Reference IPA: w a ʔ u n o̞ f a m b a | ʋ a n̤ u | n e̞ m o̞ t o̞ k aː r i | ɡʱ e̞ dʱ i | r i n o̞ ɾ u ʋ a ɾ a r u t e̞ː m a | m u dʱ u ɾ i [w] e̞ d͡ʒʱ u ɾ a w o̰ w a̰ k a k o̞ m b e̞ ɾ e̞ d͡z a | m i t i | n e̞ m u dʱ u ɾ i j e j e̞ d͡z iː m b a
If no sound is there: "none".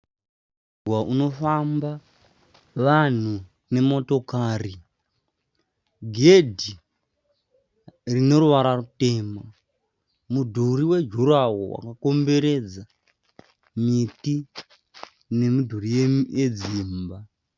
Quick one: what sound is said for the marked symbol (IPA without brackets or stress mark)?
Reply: w